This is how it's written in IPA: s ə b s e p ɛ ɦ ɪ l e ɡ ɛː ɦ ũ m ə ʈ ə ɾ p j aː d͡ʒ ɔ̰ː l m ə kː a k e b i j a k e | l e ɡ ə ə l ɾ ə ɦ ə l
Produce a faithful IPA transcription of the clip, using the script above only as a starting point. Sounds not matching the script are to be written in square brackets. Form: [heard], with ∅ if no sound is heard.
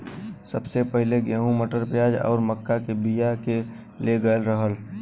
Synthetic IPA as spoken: s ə b s e p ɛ ɦ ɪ l e ɡ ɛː ɦ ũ m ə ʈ ə ɾ p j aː d͡ʒ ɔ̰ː [ɾ] m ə kː a k e b i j a k e | l e ɡ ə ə l ɾ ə ɦ ə l